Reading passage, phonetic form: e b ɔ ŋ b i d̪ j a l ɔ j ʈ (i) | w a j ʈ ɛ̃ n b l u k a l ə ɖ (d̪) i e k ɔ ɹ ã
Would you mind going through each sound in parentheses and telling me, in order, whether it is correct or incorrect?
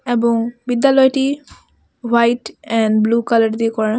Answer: correct, correct

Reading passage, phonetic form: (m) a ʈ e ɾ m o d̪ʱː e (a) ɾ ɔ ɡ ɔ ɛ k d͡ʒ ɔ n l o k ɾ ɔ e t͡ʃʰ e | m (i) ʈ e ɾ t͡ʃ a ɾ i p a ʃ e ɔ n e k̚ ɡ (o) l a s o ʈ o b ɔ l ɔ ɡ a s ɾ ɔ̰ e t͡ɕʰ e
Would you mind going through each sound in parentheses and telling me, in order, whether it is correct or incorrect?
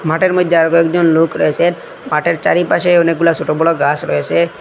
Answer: correct, correct, incorrect: a, incorrect: u

